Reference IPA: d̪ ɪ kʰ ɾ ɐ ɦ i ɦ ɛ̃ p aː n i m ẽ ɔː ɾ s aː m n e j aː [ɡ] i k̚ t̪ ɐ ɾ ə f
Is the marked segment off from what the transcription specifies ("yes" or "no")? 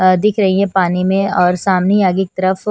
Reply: no